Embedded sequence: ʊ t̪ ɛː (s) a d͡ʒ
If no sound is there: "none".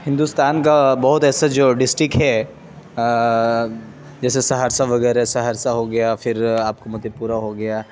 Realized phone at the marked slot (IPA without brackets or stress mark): s